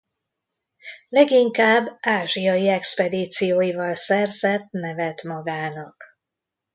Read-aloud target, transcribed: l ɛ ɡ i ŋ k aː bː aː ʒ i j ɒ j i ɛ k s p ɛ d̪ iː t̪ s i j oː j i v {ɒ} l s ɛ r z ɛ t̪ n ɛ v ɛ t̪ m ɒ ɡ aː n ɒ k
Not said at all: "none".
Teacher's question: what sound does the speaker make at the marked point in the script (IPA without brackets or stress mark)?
ɒ